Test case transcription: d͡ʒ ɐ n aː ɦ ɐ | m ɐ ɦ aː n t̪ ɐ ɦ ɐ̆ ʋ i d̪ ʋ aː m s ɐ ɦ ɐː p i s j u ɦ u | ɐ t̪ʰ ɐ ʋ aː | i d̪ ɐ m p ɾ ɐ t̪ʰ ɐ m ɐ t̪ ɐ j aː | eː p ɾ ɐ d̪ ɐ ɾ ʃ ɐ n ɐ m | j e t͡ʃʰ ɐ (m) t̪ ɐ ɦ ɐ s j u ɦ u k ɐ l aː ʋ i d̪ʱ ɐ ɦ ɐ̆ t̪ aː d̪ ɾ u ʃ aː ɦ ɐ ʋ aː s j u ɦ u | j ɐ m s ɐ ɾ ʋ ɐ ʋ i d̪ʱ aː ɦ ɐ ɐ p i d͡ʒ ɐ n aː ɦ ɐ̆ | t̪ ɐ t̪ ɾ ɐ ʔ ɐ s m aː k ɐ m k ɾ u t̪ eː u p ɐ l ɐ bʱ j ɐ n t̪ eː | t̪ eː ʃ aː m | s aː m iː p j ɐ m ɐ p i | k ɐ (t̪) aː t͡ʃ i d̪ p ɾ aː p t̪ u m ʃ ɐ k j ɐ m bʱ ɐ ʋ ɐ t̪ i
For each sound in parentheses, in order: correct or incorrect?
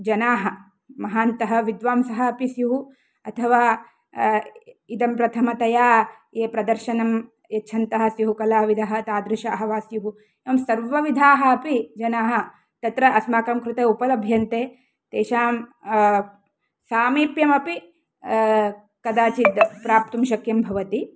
incorrect: n, incorrect: d̪

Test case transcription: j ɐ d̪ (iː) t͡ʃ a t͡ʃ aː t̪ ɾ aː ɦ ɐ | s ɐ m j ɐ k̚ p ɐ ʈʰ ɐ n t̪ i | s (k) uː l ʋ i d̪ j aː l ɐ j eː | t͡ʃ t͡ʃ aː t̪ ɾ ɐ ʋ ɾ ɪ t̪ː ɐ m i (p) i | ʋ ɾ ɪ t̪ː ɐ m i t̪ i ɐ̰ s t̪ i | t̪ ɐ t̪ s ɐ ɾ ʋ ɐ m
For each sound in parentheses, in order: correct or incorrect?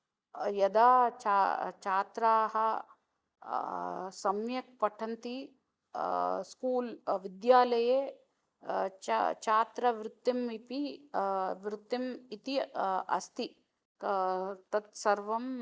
incorrect: aː, correct, correct

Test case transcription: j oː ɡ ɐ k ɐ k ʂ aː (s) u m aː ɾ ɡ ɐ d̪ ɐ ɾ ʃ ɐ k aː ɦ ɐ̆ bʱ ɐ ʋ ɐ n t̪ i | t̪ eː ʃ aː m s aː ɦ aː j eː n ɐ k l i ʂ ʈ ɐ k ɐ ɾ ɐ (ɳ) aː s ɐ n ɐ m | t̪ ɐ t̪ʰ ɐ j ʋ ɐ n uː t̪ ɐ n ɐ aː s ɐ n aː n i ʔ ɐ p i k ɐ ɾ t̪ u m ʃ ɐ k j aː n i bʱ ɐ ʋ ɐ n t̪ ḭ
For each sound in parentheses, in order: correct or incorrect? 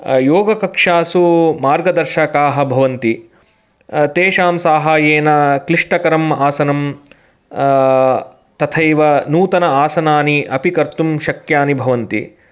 correct, incorrect: m

